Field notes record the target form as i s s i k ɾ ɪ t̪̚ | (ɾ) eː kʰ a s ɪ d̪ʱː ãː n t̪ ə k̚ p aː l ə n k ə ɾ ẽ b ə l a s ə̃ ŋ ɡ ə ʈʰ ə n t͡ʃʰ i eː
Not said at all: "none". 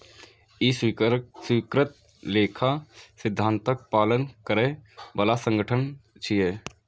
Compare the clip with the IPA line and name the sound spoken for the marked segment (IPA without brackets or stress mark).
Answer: l